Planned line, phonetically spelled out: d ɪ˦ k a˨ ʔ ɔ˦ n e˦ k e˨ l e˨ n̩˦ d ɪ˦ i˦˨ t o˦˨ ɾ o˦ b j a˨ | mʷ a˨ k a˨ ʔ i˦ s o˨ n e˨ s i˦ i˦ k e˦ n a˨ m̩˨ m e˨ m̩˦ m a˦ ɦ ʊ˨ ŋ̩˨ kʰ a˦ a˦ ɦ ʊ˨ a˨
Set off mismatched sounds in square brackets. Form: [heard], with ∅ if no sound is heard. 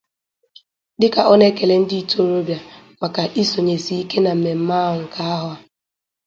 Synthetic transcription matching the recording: d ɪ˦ k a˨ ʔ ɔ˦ n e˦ k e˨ l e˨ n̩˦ d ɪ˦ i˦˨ t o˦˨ ɾ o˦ b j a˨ | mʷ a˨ k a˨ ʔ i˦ s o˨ [ɲ] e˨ s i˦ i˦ k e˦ n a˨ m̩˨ m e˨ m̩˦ m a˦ ɦ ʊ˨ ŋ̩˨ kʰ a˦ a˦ ɦ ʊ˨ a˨